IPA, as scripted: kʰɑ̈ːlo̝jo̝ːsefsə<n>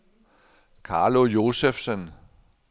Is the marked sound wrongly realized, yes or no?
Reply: no